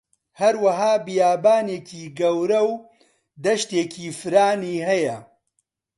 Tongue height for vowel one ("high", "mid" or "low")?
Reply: low